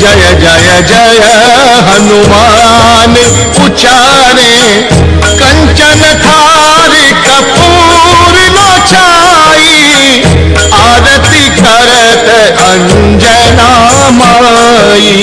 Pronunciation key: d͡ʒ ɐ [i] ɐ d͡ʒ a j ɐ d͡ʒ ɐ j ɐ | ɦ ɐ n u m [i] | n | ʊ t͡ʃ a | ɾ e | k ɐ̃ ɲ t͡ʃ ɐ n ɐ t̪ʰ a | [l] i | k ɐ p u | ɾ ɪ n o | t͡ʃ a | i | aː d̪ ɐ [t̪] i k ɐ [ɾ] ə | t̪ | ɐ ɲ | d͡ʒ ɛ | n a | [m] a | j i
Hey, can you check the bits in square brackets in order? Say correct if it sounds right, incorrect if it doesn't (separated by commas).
incorrect, incorrect, incorrect, correct, correct, correct